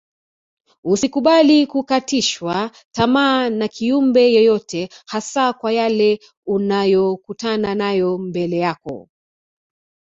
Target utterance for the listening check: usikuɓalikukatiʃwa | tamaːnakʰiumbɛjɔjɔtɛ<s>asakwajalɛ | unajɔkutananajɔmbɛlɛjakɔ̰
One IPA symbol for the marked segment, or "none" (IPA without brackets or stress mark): h